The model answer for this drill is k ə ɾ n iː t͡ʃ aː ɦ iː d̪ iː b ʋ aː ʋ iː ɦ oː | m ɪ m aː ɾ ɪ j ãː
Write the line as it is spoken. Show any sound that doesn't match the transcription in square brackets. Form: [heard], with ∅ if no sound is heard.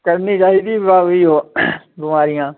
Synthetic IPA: k ə ɾ n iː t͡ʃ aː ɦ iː d̪ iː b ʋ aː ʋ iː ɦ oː | [b] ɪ m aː ɾ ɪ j ãː